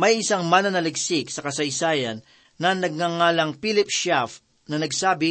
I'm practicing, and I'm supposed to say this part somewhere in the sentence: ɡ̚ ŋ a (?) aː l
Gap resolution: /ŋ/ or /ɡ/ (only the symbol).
ŋ